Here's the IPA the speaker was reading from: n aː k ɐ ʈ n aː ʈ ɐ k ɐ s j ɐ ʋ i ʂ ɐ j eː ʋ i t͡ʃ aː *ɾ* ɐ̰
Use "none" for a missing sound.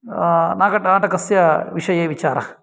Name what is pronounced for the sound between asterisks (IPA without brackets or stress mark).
ɾ